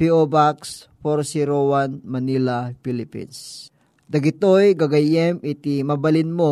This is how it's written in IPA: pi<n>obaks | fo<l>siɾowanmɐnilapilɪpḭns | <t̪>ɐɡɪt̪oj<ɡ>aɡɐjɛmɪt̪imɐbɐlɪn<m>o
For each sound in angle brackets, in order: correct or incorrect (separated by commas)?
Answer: incorrect, incorrect, incorrect, correct, correct